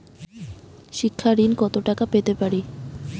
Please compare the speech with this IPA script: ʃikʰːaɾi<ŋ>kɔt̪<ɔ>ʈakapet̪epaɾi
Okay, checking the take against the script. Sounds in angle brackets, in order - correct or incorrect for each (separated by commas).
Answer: incorrect, incorrect